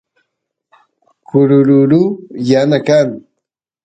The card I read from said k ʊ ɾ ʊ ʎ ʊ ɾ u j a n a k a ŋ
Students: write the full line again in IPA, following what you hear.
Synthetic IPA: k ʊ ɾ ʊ ɾ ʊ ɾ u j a n a k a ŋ